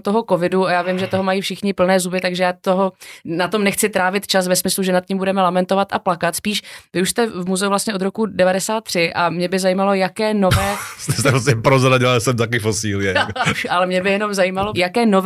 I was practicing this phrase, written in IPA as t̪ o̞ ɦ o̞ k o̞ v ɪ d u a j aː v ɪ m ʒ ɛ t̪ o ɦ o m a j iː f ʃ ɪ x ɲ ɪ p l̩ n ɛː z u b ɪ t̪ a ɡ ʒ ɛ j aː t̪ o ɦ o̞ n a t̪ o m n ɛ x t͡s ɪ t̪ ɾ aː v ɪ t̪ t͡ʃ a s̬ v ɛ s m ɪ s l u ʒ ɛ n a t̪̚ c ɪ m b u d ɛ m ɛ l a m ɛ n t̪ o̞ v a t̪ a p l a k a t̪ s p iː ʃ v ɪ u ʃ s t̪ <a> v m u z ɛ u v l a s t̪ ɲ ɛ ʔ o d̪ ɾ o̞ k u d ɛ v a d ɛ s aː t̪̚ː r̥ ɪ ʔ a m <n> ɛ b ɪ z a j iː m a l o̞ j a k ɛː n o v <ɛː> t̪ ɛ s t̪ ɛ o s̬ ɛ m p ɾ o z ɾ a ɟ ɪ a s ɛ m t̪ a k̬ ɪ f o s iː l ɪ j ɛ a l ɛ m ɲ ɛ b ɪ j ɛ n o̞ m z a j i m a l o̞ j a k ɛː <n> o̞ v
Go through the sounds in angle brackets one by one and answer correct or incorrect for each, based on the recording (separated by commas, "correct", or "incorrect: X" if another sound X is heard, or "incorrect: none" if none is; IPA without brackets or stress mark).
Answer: incorrect: ɛ, incorrect: ɲ, correct, correct